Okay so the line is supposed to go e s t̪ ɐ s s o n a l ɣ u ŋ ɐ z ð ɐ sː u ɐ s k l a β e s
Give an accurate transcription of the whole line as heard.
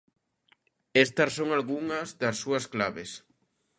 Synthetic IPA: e s t̪ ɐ s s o ŋ a l ɣ u ŋ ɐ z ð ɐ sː u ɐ s k l a β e s